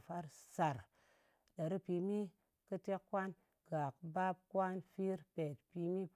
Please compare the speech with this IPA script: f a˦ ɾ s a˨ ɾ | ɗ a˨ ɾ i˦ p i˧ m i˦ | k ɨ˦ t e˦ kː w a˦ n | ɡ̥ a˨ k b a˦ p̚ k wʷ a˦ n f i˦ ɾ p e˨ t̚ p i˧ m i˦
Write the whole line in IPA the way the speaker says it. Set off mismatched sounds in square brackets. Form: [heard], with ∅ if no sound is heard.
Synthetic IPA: f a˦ ɾ s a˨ ɾ | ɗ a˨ ɾ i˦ p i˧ m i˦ | k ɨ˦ t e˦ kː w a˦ n | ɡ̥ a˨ k b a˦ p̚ k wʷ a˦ n f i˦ ɾ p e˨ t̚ p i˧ m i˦